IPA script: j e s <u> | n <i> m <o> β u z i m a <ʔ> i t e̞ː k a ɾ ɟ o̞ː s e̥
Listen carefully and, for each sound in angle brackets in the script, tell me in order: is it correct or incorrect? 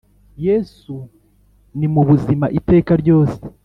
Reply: correct, correct, incorrect: u, correct

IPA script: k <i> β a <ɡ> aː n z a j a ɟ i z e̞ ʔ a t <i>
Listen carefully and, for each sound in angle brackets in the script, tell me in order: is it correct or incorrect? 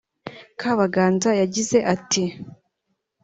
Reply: incorrect: a, correct, correct

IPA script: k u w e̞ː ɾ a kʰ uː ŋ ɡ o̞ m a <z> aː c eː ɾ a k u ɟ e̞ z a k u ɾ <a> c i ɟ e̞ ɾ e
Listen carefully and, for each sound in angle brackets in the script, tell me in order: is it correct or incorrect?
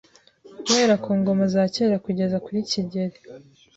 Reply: correct, incorrect: i

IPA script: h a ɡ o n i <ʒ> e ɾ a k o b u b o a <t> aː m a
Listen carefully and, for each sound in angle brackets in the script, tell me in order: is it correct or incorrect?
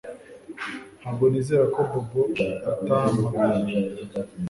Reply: incorrect: z, correct

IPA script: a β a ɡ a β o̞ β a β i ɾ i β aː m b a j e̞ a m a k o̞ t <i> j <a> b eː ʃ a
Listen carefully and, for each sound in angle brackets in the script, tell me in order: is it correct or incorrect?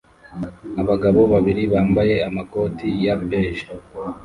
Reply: correct, correct

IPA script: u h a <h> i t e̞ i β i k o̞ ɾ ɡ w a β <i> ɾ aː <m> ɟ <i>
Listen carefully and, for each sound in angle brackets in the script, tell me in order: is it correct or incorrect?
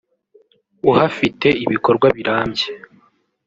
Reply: incorrect: f, correct, correct, incorrect: e

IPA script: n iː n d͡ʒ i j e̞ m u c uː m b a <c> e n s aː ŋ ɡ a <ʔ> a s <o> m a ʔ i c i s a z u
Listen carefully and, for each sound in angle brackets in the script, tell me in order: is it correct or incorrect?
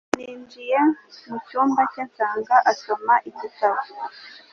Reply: correct, correct, correct

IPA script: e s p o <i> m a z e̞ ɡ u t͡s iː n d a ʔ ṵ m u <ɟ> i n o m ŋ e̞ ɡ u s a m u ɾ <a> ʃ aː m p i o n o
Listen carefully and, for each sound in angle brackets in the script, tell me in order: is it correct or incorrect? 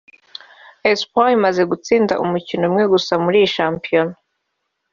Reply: correct, incorrect: c, incorrect: i

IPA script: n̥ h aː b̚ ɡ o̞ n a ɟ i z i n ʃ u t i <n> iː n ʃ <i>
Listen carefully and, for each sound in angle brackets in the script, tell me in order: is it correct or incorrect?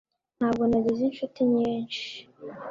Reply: incorrect: ɲ, correct

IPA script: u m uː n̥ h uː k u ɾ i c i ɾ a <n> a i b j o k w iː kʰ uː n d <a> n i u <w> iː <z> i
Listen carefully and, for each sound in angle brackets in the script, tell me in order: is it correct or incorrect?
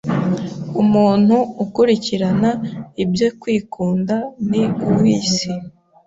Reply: correct, correct, correct, incorrect: s

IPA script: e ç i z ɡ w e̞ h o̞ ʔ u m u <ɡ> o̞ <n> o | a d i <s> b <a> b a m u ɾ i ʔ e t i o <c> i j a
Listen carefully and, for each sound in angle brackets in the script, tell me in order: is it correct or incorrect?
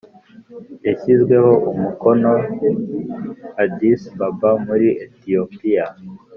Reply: incorrect: k, correct, correct, correct, incorrect: p

